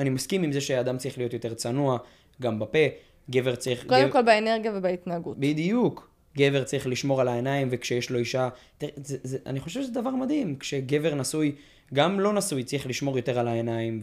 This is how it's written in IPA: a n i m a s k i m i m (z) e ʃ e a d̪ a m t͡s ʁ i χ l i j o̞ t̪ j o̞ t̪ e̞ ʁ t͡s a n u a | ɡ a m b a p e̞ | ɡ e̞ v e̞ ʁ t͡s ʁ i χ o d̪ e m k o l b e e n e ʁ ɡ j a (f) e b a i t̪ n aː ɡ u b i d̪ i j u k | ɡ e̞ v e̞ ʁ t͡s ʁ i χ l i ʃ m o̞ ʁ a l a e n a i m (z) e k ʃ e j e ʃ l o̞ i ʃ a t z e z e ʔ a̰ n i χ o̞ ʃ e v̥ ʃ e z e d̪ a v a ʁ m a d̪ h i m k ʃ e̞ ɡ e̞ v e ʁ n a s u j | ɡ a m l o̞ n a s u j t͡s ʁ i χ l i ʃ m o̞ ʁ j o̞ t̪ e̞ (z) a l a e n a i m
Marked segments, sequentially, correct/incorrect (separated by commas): correct, incorrect, incorrect, incorrect